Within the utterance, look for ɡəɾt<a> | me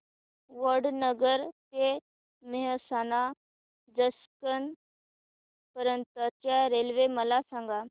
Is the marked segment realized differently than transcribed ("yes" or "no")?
yes